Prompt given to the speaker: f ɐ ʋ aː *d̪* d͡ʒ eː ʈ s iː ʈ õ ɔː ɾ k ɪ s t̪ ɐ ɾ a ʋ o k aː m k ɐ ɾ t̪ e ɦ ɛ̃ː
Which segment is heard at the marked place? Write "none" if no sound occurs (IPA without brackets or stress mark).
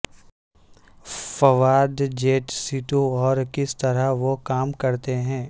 d̪